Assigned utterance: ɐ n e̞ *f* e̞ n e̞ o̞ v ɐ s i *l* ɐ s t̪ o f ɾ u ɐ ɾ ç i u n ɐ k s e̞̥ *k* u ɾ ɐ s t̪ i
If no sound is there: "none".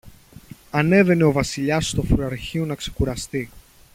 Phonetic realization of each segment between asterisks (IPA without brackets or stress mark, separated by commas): v, ʎ, k